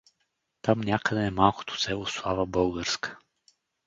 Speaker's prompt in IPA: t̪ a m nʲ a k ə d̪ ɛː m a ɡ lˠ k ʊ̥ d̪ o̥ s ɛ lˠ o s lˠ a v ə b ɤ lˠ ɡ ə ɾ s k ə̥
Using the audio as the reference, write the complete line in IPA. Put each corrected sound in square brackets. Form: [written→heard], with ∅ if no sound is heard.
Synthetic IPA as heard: t̪ a m nʲ a k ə d̪ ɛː m a [ɡ→∅] lˠ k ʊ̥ [d̪→t̪] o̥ s ɛ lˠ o s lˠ a v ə b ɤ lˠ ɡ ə ɾ s k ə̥